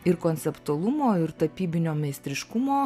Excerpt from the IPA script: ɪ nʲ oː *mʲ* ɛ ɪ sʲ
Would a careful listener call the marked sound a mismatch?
no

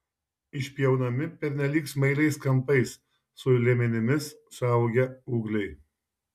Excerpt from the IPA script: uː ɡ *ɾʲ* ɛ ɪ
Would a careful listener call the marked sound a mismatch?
yes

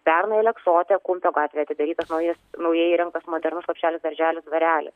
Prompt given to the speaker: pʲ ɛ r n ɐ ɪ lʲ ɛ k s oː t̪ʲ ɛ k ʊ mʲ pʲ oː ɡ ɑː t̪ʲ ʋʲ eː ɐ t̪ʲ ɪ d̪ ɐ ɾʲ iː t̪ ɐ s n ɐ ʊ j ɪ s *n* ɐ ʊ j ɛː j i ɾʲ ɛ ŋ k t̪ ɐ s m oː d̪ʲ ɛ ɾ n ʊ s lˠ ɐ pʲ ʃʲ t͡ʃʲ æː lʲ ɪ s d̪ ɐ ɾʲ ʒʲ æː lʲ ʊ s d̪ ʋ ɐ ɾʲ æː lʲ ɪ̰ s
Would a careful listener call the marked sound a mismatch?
no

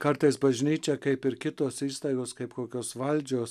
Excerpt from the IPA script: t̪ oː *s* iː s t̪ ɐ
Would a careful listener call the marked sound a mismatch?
no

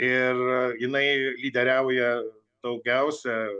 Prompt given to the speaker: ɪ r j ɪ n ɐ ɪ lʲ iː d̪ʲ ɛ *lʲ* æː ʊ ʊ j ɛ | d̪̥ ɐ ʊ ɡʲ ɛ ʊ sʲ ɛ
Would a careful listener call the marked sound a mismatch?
yes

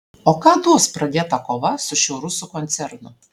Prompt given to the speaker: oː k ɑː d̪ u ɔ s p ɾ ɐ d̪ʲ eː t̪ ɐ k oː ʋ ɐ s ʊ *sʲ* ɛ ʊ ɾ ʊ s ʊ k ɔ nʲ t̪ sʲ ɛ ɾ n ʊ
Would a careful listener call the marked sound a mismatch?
yes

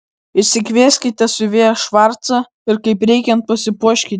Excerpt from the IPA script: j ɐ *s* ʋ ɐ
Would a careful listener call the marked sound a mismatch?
yes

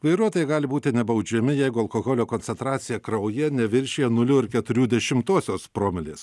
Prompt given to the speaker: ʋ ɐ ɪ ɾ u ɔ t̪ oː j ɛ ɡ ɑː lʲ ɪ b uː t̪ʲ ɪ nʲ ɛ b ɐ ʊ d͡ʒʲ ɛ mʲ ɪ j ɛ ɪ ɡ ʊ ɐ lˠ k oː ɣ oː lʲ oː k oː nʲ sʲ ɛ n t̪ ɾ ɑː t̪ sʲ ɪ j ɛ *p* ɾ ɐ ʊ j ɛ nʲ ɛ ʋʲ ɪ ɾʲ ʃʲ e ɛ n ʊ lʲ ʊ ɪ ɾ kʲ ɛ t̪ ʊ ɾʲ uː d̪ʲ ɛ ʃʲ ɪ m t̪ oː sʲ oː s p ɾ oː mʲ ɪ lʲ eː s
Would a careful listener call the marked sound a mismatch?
yes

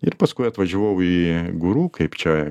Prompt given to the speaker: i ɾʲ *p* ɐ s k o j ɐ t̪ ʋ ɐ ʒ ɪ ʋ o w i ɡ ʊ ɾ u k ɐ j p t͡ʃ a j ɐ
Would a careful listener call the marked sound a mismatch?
no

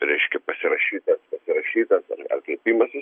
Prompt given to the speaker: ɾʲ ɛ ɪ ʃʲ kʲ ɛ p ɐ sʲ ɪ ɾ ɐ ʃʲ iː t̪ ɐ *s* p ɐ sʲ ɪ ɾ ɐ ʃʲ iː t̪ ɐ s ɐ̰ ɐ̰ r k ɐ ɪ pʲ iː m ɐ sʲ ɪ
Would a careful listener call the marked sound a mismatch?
no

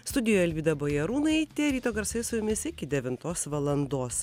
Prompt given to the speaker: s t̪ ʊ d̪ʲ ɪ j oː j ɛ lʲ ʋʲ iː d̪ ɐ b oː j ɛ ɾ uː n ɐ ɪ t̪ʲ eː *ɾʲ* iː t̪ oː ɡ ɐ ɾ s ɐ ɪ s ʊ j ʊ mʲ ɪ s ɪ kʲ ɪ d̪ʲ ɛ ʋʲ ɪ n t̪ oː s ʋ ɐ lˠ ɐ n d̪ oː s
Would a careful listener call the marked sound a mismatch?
no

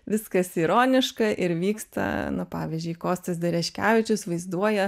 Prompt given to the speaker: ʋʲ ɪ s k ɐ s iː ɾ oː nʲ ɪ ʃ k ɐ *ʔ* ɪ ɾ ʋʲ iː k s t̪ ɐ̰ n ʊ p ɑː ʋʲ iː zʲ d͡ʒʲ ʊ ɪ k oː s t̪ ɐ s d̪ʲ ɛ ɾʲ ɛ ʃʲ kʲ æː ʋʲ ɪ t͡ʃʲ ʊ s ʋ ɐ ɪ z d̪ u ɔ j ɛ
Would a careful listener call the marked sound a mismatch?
no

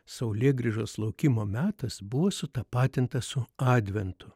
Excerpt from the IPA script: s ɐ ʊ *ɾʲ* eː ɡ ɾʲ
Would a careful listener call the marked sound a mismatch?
yes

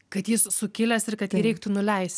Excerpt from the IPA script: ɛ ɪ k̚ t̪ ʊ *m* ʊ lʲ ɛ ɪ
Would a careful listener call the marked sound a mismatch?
yes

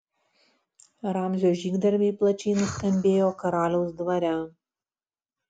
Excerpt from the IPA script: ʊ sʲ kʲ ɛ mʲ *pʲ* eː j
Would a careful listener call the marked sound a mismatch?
yes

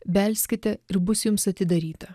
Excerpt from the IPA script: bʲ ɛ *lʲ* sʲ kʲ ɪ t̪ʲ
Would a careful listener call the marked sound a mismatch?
no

